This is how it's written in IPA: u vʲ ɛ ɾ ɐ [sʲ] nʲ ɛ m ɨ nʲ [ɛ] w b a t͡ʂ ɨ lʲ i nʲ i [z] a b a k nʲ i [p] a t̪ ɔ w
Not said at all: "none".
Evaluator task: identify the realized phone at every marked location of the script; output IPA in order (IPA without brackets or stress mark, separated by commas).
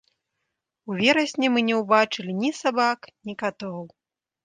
sʲ, ɛ, s, k